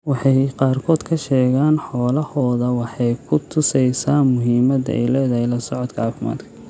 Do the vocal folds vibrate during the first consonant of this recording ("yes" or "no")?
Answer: yes